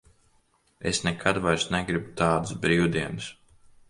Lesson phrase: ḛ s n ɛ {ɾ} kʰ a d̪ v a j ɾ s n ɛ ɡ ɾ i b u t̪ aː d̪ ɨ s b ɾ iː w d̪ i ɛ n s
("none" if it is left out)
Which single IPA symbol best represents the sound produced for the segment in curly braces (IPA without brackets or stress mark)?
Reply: none